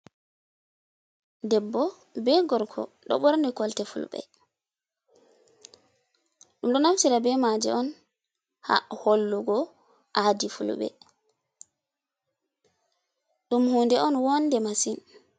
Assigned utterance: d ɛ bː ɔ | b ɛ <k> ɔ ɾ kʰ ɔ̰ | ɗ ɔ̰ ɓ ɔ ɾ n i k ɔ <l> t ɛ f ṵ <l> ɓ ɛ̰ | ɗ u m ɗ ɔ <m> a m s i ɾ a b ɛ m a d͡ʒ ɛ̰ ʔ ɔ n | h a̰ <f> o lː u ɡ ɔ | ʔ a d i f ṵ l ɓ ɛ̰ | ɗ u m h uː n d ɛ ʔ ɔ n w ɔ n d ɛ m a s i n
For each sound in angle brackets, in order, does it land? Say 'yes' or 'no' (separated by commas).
no, yes, yes, no, no